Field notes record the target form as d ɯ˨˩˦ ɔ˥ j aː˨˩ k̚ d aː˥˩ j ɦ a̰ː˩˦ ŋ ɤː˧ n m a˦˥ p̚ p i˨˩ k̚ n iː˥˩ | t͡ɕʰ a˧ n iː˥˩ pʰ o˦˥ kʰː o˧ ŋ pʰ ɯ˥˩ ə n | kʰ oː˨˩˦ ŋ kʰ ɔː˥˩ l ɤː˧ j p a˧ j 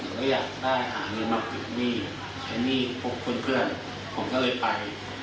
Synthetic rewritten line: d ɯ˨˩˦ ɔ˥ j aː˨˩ k̚ d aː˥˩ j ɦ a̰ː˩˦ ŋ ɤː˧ n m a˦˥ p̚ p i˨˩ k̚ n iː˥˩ | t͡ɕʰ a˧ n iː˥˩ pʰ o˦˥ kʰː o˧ n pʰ ɯ˥˩ ə n | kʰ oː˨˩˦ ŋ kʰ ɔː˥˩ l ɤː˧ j p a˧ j

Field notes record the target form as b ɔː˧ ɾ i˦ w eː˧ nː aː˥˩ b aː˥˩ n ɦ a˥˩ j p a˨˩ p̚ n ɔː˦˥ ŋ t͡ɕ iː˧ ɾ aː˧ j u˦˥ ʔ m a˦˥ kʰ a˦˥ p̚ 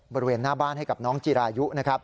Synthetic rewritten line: b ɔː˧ ɾ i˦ w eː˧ nː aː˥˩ b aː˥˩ n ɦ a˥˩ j k a˨˩ p̚ n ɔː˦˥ ŋ t͡ɕ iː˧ ɾ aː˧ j u˦˥ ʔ n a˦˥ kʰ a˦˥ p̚

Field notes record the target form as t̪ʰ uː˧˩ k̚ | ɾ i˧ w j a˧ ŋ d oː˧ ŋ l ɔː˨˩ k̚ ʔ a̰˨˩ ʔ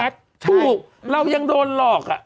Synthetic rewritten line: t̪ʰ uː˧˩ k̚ | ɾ a˧ w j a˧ ŋ d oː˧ n l ɔː˨˩ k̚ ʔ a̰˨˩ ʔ

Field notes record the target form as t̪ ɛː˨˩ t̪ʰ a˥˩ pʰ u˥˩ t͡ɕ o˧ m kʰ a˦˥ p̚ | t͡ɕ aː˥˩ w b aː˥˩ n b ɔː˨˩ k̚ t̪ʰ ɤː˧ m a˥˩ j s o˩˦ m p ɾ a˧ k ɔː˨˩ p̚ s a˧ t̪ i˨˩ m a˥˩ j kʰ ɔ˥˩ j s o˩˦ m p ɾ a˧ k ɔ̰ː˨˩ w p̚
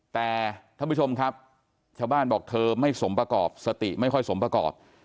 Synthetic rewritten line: t̪ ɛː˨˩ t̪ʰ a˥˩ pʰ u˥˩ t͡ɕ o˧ m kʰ a˦˥ p̚ | t͡ɕʰ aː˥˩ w b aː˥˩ n b ɔː˨˩ k̚ t̪ʰ ɤː˧ m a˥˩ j s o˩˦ m p ɾ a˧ k ɔː˨˩ p̚ s a˧ t̪ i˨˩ m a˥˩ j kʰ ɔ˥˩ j s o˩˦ m p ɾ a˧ k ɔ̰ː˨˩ p̚

